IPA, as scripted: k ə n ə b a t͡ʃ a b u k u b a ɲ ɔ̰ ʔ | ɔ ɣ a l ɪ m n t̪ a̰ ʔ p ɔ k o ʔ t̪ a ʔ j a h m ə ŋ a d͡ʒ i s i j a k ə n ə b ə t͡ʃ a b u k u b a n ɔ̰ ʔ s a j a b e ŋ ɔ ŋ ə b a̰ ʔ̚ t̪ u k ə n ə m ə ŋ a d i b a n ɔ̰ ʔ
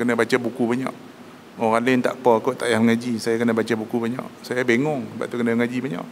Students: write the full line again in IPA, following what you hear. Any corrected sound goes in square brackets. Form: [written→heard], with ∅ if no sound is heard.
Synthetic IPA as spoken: k ə n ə b a t͡ʃ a b u k u b a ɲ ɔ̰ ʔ | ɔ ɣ a l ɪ [m→∅] n t̪ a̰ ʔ p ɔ k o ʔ t̪ a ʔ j a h m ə ŋ a d͡ʒ i s [i→a] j a k ə n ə b [ə→a] t͡ʃ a b u k u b a [n→ɲ] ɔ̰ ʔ s a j a b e ŋ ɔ ŋ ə b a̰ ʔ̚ t̪ u k ə n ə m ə ŋ a [d→d͡ʒ] i b a [n→ɲ] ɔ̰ ʔ